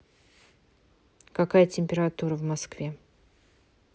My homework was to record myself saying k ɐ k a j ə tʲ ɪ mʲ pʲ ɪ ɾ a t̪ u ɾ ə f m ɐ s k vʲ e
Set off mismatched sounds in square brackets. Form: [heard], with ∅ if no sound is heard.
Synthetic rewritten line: k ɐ k a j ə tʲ ɪ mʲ pʲ ɪ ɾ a t̪ u ɾ ə [v] m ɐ s k vʲ e